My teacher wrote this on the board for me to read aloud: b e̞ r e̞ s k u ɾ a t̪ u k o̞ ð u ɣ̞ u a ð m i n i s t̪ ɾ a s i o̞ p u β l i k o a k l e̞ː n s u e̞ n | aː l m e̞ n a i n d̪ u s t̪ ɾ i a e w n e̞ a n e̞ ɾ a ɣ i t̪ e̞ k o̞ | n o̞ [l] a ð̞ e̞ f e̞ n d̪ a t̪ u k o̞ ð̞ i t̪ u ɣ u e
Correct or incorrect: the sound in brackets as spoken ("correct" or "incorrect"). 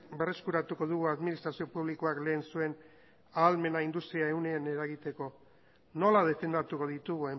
correct